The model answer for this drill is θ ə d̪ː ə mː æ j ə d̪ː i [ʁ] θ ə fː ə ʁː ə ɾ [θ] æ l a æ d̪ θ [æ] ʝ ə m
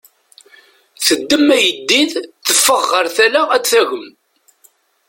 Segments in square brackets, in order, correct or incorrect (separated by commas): incorrect, correct, correct